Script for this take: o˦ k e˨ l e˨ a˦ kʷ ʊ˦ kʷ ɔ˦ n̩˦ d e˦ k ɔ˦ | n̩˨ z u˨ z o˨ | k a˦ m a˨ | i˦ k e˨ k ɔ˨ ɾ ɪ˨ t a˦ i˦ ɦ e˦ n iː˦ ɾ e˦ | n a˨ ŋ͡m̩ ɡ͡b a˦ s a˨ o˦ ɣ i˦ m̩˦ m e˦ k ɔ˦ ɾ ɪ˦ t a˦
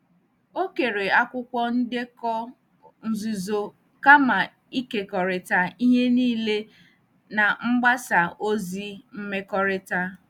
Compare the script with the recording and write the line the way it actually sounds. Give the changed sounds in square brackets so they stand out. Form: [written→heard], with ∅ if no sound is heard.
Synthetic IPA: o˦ k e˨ [l→ɾ] e˨ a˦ kʷ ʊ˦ kʷ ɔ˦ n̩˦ d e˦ k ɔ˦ | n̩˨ z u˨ z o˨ | k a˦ m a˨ | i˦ k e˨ k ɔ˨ ɾ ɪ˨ t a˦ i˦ ɦ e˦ n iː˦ [ɾ→l] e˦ | n a˨ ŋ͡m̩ ɡ͡b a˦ s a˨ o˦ [ɣ→z] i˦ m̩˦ m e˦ k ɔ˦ ɾ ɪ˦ t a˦